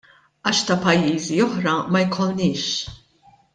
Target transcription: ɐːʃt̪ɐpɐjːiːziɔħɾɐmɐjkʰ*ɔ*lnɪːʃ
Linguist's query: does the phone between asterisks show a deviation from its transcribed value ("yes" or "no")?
no